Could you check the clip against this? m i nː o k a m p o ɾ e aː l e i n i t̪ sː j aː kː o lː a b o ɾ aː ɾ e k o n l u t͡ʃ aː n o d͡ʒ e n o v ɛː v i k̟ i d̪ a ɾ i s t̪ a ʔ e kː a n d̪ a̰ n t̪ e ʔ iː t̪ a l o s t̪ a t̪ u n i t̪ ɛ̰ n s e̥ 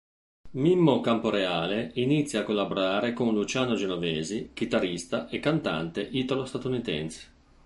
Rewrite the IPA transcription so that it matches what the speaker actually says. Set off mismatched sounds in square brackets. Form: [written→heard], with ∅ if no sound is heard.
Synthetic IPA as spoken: m i [nː→mː] o k a m p o ɾ e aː l e i n i t̪ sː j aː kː o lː a b o ɾ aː ɾ e k o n l u t͡ʃ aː n o d͡ʒ e n o v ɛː [v→z] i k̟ i [d̪→t̪] a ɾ i s t̪ a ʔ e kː a n [d̪→t̪] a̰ n t̪ e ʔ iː t̪ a l o s t̪ a t̪ u n i t̪ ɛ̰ n s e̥

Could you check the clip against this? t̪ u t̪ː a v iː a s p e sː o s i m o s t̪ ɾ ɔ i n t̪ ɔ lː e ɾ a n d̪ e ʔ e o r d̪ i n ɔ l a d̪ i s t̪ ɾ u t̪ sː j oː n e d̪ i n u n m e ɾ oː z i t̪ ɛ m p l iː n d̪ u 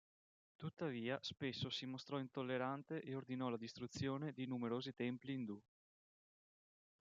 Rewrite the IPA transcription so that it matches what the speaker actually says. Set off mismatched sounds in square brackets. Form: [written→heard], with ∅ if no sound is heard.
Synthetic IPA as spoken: t̪ u t̪ː a v iː a s p e sː o s i m o s t̪ ɾ ɔ i n t̪ [ɔ→o] lː e ɾ a n [d̪→t̪] e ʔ e o r d̪ i n ɔ l a d̪ i s t̪ ɾ u t̪ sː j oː n e d̪ i n u [n→∅] m e ɾ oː z i t̪ ɛ m p l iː n d̪ u

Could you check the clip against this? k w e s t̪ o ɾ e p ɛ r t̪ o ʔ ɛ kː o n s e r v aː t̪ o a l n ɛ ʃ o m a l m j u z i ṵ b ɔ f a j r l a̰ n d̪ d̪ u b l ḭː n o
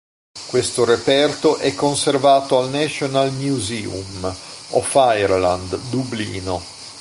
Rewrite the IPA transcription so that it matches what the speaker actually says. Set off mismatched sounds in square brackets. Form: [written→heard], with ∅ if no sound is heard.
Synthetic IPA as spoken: k w e s t̪ o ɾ e p ɛ r t̪ o ʔ ɛ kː o n s e r v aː t̪ o a l n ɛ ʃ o [m→n] a l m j u z i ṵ [b→m] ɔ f a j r l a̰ n d̪ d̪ u b l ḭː n o

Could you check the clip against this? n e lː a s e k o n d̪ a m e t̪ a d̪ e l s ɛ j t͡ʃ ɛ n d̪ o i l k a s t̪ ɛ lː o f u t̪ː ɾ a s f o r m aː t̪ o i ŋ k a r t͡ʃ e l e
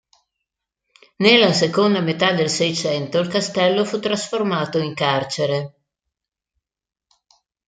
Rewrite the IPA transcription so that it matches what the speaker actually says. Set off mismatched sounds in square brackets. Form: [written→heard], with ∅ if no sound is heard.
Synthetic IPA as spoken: n e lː a s e k o n d̪ a m e t̪ a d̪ e l s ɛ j t͡ʃ ɛ n [d̪→t̪] o i l k a s t̪ ɛ lː o f u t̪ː ɾ a s f o r m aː t̪ o i ŋ k a r t͡ʃ e [l→ɾ] e

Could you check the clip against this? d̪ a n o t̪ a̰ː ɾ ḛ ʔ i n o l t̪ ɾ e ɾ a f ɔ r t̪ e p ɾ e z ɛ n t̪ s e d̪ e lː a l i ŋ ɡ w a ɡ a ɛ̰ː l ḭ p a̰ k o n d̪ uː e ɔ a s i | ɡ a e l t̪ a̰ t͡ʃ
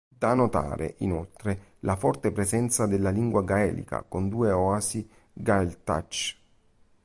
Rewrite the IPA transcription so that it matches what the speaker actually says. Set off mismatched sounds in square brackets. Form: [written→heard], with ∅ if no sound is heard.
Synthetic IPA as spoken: d̪ a n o t̪ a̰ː ɾ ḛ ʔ i n o l t̪ ɾ e [ɾ→l] a f ɔ r t̪ e p ɾ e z ɛ n t̪ s [e→a] d̪ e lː a l i ŋ ɡ w a ɡ a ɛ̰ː l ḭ [p→k] a̰ k o n d̪ uː e ɔ a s i | ɡ a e l t̪ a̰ t͡ʃ

